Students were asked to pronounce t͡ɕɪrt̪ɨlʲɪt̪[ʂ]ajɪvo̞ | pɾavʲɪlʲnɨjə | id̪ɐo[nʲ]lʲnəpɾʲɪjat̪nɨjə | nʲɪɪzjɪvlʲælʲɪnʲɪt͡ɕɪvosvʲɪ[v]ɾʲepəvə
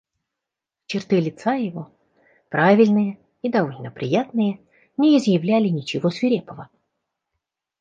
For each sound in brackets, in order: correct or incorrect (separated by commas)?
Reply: incorrect, incorrect, incorrect